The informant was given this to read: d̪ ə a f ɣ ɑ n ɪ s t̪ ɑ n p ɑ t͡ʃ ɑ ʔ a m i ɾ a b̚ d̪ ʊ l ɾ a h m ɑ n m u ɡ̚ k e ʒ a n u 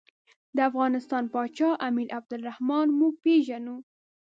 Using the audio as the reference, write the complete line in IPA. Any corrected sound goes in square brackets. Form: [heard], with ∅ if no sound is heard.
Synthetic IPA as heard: d̪ ə a f ɣ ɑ n ɪ s t̪ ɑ n p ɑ t͡ʃ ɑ ʔ a m i ɾ a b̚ d̪ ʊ l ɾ a h m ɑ n m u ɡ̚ [p] e ʒ a n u